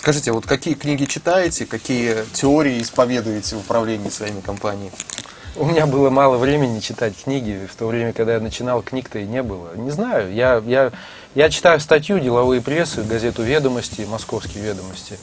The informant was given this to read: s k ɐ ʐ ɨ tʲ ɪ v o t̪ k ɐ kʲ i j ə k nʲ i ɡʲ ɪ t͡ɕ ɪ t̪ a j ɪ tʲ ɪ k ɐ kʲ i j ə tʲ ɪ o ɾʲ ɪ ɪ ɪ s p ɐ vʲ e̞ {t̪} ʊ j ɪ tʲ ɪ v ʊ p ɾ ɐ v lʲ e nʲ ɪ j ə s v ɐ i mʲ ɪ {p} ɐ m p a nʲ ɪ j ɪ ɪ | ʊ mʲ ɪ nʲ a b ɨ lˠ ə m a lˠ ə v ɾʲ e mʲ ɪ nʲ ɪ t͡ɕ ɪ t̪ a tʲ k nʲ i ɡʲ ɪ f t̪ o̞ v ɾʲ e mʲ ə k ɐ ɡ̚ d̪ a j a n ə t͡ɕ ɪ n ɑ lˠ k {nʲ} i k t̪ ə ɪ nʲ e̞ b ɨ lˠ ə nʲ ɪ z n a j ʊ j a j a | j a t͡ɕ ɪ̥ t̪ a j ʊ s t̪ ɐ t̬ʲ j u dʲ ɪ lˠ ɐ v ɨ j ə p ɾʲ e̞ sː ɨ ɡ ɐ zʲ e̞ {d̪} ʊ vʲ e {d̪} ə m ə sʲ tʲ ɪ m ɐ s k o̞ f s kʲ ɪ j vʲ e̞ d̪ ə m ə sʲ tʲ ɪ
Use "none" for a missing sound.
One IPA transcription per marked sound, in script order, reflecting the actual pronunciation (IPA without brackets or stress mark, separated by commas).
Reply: d̪, k, nʲ, t̪, d̪